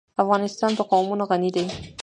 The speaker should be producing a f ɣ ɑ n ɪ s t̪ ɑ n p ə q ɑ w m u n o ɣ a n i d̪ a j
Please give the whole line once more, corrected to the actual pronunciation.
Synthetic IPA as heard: a f ɣ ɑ n ɪ s t̪ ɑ n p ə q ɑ w m u n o ɣ a n i d̪ a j